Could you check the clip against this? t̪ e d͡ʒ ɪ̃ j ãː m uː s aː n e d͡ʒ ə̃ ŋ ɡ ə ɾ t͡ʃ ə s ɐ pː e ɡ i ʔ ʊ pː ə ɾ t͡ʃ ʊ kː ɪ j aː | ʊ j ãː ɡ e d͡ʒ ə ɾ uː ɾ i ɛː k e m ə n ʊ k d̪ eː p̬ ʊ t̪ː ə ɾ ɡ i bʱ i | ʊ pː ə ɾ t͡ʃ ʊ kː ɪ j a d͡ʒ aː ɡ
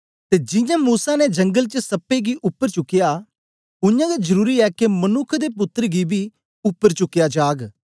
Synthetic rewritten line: t̪ e d͡ʒ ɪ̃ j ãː m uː s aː n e d͡ʒ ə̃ ŋ ɡ ə l t͡ʃ ə s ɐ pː e ɡ i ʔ ʊ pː ə ɾ t͡ʃ ʊ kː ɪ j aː | ʊ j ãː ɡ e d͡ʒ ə ɾ uː ɾ i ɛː k e m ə n ʊ kʰ d̪ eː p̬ ʊ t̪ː ə ɾ ɡ i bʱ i | ʊ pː ə ɾ t͡ʃ ʊ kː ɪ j a d͡ʒ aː ɡ

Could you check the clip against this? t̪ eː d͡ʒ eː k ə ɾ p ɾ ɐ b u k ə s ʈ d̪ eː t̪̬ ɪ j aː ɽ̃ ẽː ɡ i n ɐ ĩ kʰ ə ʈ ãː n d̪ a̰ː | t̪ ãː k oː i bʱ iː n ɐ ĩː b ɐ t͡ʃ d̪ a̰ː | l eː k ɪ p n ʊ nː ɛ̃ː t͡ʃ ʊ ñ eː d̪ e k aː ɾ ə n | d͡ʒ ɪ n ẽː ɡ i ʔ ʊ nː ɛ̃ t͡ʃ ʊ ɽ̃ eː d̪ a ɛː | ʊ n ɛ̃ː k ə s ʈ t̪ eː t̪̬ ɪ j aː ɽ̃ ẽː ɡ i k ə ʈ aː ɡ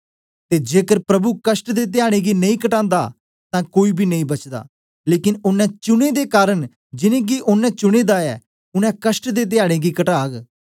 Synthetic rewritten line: t̪ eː d͡ʒ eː k ə ɾ p ɾ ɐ b u k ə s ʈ d̪ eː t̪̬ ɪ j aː ɽ̃ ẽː ɡ i n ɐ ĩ k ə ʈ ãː n d̪ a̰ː | t̪ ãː k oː i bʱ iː n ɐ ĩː b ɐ t͡ʃ d̪ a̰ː | l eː k ɪ n ʊ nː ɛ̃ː t͡ʃ ʊ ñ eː d̪ e k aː ɾ ə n | d͡ʒ ɪ n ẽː ɡ i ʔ ʊ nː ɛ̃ t͡ʃ ʊ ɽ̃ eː d̪ a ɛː | ʊ n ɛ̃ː k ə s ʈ d̪ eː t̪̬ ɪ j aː ɽ̃ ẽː ɡ i k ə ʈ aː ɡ

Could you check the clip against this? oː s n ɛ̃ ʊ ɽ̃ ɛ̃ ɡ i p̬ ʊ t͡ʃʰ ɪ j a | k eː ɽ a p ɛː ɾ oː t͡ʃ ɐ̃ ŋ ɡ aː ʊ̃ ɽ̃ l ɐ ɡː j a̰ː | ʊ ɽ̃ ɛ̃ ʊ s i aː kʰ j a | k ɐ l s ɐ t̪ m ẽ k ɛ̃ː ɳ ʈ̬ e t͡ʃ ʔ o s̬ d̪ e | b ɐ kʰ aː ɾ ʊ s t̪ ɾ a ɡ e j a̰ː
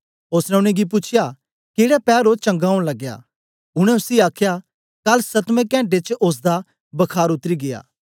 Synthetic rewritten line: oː s n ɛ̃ ʊ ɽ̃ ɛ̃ ɡ i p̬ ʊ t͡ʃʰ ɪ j a | k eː ɽ a p ɛː ɾ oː t͡ʃ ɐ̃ ŋ ɡ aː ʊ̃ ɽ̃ l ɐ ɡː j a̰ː | ʊ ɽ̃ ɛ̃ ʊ s i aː kʰ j a | k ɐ l s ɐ t̪ m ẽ k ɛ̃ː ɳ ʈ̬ e t͡ʃ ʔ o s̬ d̪ a | b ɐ kʰ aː ɾ ʊ t̪ ɾ i ɡ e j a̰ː

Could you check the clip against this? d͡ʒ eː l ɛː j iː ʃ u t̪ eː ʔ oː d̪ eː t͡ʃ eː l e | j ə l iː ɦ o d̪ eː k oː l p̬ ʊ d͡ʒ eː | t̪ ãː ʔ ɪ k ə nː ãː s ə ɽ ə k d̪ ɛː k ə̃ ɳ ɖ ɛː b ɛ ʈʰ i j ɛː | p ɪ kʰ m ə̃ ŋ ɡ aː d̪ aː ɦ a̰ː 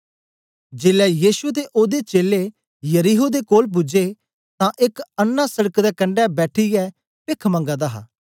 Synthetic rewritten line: d͡ʒ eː l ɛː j iː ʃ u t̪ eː ʔ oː d̪ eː t͡ʃ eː l e | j ə ɾ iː ɦ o d̪ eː k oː l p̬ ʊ d͡ʒ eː | t̪ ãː ʔ ɪ k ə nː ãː s ə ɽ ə k d̪ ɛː k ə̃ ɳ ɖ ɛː b ɛː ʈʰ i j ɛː | p ɪ kʰ m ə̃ ŋ ɡ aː d̪ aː ɦ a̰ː

